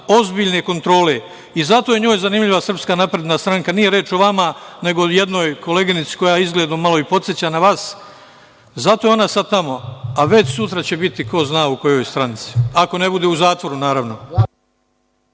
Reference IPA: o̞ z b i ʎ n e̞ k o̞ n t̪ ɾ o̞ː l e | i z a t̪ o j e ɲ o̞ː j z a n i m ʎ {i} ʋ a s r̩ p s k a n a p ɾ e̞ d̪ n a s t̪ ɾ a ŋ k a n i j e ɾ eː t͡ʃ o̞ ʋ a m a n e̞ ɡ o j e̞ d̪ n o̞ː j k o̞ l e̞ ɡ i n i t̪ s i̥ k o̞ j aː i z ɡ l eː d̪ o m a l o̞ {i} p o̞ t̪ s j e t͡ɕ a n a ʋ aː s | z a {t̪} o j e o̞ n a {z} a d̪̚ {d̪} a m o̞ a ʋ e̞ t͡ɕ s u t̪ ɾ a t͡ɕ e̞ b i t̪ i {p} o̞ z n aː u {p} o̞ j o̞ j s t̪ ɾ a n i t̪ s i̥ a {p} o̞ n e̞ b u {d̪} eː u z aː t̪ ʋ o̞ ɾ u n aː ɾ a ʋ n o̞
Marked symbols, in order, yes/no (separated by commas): yes, yes, yes, no, no, no, no, no, yes